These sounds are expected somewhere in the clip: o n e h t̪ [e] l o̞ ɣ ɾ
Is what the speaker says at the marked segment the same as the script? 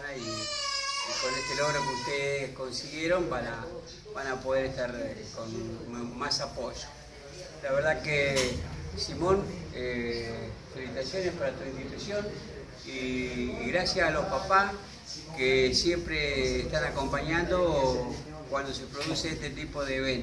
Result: yes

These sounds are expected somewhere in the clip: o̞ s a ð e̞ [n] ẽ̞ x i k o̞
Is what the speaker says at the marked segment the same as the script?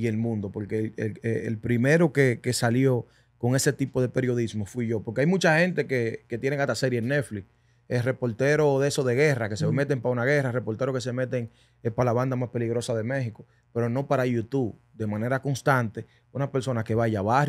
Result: no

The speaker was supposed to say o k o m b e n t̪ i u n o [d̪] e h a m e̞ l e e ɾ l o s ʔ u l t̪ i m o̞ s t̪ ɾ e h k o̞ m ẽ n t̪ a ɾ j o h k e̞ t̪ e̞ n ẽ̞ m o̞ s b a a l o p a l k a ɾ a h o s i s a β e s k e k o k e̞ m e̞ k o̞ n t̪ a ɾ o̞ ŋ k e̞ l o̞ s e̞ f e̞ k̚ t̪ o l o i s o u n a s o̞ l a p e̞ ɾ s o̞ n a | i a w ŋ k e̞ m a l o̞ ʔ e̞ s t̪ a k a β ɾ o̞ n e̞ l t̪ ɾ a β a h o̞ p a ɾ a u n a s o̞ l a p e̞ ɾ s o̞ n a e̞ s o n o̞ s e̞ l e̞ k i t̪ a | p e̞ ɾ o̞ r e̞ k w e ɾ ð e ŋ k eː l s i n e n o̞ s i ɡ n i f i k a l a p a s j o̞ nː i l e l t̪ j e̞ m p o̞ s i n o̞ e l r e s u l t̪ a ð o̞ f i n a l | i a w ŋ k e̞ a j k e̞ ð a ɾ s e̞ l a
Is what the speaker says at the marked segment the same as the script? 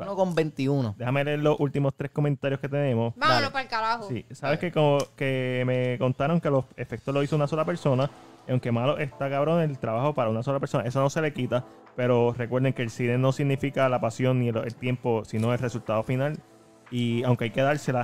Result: yes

